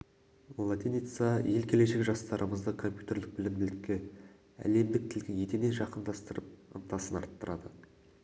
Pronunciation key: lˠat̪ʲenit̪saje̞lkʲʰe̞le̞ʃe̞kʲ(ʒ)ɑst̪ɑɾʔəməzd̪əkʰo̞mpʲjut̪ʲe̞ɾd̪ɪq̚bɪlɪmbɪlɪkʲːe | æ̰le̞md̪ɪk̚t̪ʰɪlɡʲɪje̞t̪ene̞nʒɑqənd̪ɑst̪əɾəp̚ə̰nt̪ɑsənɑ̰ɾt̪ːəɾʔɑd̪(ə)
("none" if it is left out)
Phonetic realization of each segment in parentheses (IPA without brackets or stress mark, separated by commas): ʒ, ə